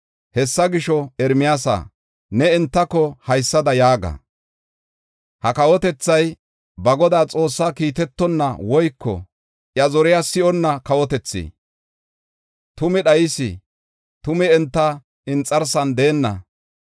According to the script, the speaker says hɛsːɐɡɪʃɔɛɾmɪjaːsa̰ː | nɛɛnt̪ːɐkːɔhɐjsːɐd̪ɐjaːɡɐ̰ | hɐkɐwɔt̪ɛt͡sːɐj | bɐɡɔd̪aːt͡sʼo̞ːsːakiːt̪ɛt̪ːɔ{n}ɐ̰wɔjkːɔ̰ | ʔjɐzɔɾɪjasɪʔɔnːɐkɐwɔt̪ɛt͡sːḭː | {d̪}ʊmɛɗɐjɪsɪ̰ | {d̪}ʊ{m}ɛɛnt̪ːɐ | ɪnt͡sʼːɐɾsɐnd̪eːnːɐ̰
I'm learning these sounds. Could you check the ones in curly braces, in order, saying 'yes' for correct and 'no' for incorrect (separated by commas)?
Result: no, no, no, yes